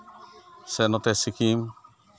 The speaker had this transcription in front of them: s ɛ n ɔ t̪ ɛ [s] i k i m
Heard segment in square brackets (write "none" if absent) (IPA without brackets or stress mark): s